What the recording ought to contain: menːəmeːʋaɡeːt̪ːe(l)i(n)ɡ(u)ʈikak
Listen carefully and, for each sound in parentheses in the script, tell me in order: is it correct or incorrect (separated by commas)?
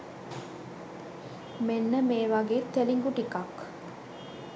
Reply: correct, incorrect, correct